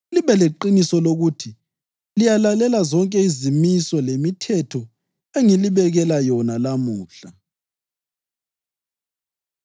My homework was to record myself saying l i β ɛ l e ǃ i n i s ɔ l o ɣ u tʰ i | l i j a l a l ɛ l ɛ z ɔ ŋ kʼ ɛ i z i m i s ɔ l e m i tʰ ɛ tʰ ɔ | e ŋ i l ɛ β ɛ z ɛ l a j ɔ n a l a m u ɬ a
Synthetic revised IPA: l i β ɛ l e ǃ i n i s ɔ l o ɣ u tʰ i | l i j a l a l ɛ l a z ɔ ŋ kʼ ɛ i z i m i s ɔ l e m i tʰ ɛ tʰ ɔ | e ŋ i l i β ɛ ɣ ɛ l a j ɔ n a l a m uː ɬ a

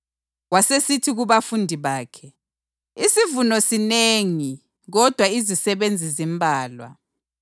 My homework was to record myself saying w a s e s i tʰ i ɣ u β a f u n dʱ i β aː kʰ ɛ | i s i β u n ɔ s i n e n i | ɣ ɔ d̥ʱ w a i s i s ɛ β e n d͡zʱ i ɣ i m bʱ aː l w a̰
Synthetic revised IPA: w a s e s i tʰ i ɣ u β a f u n dʱ i β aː kʰ ɛ | i s i v u n ɔ s i n e ŋ i | ɣ ɔ d̥ʱ w a i z i s ɛ β e n d͡zʱ i z i m bʱ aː l w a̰

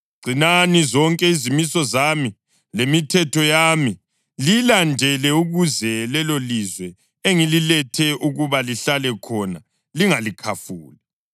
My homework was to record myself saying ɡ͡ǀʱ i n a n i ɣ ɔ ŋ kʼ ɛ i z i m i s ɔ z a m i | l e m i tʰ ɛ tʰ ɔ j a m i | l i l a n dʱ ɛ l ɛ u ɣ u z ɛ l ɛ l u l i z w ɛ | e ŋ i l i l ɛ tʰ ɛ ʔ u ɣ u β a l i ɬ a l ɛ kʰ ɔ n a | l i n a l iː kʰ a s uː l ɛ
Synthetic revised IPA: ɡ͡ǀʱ i n a n i z ɔ ŋ kʼ ɛ i z i m i s ɔ z a m i | l e m i tʰ ɛ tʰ ɔ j a m i | l i l a n dʱ ɛ l ɛ u ɣ u z ɛ l ɛ l o l i z w ɛ | e ŋ i l i l ɛ tʰ ɛ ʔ u ɣ u β a l i ɬ a l ɛ kʰ ɔ n a | l i ŋ a l i kʰ a f uː l ɛ

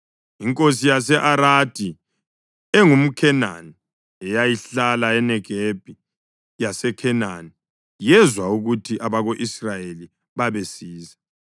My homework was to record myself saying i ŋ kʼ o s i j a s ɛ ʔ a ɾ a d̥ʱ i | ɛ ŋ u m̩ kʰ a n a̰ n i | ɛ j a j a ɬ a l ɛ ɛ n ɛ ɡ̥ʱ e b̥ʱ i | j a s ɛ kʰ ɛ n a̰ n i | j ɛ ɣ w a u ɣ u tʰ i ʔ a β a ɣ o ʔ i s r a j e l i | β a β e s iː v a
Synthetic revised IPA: i ŋ kʼ o s i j a s ɛ ʔ a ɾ a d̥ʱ i | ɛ ŋ u m̩ kʰ ɛ n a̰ n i | ɛ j a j i ɬ a l a ɛ n ɛ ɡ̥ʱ e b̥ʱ i | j a s ɛ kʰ ɛ n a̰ n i | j ɛ z w a u ɣ u tʰ i ʔ a β a ɣ o ʔ i s r a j e l i | β a β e s iː z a

